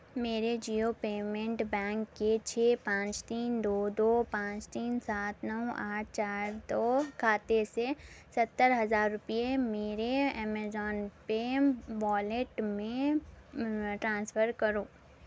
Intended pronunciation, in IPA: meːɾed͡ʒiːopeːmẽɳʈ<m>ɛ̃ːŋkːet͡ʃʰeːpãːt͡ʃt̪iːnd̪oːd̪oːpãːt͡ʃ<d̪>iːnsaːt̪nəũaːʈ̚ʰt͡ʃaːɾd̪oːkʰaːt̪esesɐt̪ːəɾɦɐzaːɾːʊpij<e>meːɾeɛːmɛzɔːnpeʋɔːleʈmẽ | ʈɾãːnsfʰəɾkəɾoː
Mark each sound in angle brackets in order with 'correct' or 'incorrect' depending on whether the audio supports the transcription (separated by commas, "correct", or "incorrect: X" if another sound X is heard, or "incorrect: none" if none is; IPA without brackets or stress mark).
incorrect: b, incorrect: t̪, correct